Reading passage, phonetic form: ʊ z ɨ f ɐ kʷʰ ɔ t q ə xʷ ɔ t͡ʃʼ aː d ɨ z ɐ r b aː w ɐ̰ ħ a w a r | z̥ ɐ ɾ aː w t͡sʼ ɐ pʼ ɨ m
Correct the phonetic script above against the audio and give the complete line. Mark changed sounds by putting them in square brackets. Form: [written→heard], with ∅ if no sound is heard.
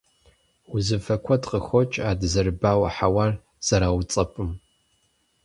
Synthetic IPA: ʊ z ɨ f ɐ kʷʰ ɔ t q ə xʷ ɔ t͡ʃʼ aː d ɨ z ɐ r b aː w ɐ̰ ħ a w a r | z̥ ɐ ɾ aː w t͡sʼ ɐ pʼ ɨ m